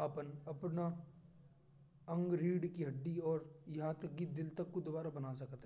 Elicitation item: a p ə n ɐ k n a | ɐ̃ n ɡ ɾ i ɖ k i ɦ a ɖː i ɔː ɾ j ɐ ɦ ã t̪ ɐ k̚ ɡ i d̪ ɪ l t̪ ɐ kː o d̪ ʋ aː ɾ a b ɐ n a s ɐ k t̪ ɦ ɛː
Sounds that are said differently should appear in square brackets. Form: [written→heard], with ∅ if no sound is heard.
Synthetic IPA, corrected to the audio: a p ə n ɐ [k→p] n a | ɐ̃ [n→ŋ] ɡ ɾ [i→iː] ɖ k i ɦ [a→ɐ] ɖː i ɔː ɾ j ɐ ɦ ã t̪ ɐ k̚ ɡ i d̪ ɪ l t̪ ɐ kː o d̪ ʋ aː ɾ a b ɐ n a s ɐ k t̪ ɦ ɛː